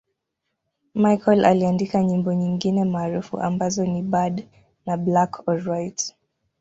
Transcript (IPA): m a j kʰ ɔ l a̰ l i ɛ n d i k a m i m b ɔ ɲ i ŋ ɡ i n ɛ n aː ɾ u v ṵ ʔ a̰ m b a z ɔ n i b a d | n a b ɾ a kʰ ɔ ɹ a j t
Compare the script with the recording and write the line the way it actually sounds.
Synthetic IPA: m a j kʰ ɔ l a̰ l i a n d i k a ɲ i m b ɔ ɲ i ŋ ɡ i n ɛ m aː ɾ u f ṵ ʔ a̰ m b a z ɔ n i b a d | n a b l a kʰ ɔ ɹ a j t